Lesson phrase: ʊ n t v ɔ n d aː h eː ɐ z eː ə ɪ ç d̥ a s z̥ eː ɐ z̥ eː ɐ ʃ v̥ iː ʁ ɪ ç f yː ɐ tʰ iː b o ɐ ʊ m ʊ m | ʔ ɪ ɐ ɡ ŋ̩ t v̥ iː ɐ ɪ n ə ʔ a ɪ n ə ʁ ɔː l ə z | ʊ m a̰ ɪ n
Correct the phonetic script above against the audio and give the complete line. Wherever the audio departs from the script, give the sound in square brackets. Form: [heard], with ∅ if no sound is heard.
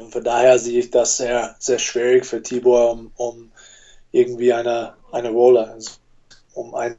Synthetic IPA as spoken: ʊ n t [f] ɔ n d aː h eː ɐ z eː ə ɪ ç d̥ a s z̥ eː ɐ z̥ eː ɐ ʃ v̥ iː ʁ ɪ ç f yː ɐ tʰ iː b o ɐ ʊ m ʊ m | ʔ ɪ ɐ ɡ ŋ̩ t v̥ iː [a] ɪ n ə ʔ a ɪ n ə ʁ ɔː l ə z | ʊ m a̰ ɪ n